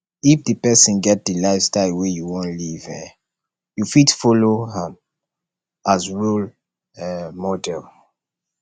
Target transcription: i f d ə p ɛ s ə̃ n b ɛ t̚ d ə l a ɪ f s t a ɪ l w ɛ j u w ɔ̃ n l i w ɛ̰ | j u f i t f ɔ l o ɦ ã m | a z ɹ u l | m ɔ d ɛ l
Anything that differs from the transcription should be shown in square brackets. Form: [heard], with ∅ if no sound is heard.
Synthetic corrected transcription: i f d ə p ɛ s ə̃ n [ɡ] ɛ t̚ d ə l a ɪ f s t a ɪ l w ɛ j u w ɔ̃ n l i [v] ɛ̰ | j u f i t f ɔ l o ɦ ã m | a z ɹ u l | m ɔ d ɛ l